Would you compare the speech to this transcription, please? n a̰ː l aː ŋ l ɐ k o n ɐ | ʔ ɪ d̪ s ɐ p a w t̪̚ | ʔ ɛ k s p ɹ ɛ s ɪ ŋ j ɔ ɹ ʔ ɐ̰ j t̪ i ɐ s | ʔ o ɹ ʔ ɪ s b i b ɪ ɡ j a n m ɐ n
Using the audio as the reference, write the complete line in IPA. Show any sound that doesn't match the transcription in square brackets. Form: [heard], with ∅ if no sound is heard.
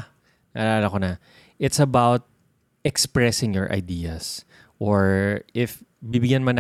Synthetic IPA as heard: n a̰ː l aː [∅] l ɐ k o n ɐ | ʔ ɪ [t̪] s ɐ [b] a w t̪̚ | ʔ ɛ k s p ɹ ɛ s ɪ ŋ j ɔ ɹ ʔ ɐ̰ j [d̪] i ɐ s | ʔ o ɹ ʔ ɪ [f] b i b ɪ ɡ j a n m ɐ n